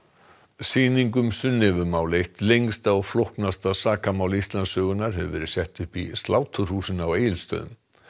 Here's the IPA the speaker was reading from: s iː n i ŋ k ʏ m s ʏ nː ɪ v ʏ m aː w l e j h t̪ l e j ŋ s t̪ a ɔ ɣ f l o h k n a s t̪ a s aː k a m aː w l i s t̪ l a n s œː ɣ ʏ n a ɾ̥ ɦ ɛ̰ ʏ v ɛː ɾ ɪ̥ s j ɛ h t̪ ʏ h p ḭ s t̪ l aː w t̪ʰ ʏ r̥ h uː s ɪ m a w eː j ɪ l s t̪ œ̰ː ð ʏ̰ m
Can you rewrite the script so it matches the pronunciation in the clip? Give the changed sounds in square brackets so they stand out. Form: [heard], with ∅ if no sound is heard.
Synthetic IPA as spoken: s iː n i ŋ k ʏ m s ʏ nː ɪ v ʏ m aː w l e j h t̪ l e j ŋ s t̪ a ɔ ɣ f l o h k n a s t̪ a s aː k a m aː w l i s t̪ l a n s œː ɣ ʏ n a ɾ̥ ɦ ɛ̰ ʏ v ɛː ɾ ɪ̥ s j ɛ h t̪ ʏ h p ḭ s t̪ l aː w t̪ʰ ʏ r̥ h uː s ɪ [n] a w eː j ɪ l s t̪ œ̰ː ð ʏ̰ m

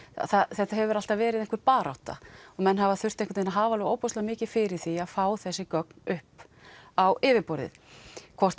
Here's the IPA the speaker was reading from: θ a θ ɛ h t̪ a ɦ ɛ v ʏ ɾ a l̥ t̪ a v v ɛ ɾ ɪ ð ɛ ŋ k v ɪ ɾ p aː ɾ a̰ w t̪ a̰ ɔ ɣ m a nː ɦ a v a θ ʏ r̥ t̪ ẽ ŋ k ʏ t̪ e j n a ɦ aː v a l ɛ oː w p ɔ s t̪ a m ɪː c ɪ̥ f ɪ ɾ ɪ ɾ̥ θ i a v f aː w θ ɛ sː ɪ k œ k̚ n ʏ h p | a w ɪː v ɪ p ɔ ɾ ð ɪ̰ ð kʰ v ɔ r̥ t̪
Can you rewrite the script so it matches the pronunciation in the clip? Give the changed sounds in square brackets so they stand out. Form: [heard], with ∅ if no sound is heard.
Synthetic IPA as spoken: θ a θ ɛ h t̪ a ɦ ɛ v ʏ ɾ a l̥ t̪ a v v [ɛː] ɾ ɪ ð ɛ ŋ k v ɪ ɾ p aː ɾ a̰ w t̪ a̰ ɔ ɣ m [ɛ] nː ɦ a v a θ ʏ r̥ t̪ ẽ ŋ k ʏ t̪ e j n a ɦ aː v a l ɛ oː w p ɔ s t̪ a m ɪː c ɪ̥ f ɪ ɾ ɪ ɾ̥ θ i a [ð] f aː w θ ɛ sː ɪ k œ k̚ n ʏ h p | a w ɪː v ɪ p ɔ ɾ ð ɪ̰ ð kʰ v ɔ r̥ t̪

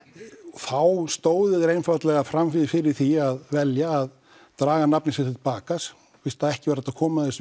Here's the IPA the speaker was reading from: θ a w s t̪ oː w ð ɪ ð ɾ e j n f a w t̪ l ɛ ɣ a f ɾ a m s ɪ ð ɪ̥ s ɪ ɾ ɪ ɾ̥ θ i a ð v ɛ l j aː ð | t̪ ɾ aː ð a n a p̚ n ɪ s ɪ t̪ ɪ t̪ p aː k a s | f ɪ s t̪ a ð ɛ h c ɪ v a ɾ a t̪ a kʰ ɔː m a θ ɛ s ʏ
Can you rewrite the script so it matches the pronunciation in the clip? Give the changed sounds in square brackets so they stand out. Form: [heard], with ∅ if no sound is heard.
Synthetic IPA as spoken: θ a w s t̪ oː w ð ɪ ð ɾ e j n f a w t̪ l ɛ ɣ a f ɾ a m [f] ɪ ð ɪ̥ [f] ɪ ɾ ɪ ɾ̥ θ i a ð v ɛ l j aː ð | t̪ ɾ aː [ɣ] a n a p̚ n ɪ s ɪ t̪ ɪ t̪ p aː k a s | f ɪ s t̪ a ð ɛ h c ɪ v a ɾ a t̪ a kʰ ɔː m a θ ɛ s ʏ

